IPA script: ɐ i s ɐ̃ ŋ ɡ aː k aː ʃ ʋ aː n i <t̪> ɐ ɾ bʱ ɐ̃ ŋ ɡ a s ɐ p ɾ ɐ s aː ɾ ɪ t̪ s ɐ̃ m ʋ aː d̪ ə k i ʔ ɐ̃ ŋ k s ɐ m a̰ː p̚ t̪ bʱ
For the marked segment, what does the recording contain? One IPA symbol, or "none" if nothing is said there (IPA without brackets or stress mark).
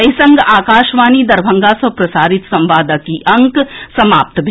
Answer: d̪